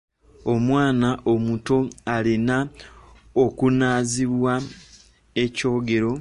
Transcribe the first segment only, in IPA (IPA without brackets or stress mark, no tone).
o̞